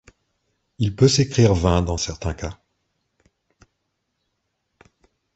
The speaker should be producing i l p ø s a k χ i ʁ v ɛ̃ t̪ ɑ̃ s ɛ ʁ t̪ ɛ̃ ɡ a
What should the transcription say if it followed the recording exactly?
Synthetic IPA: i l p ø s e k χ i ʁ v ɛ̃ d̪ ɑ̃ s ɛ ʁ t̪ ɛ̃ k a